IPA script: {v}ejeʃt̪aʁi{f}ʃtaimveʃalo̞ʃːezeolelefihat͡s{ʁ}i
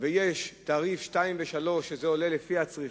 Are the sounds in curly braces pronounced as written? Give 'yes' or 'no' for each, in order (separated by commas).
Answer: yes, yes, yes